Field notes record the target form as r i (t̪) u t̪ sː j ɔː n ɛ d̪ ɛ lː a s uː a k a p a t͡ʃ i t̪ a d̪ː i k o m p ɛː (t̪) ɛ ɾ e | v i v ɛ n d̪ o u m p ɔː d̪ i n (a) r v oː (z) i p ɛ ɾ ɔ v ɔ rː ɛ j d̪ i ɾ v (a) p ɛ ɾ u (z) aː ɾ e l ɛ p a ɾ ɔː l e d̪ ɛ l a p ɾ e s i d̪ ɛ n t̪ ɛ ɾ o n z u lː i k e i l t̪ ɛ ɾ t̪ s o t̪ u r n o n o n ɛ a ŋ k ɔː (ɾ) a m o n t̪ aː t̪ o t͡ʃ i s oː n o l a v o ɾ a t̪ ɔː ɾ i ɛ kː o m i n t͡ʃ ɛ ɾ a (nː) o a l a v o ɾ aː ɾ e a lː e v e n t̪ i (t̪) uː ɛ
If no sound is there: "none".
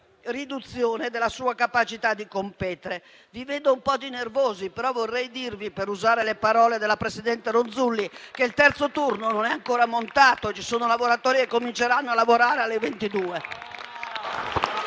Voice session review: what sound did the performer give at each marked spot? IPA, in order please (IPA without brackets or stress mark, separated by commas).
d̪, t̪, e, z, i, z, ɾ, nː, d̪